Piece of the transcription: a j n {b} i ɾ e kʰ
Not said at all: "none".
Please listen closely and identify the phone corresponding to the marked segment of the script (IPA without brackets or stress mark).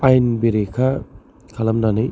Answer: b